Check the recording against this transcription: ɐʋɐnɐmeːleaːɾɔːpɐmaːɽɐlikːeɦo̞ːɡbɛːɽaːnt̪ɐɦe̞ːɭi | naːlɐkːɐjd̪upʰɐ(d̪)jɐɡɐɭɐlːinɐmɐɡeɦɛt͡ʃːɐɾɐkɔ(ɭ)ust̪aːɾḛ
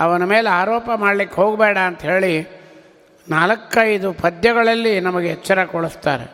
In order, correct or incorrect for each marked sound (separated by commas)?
correct, correct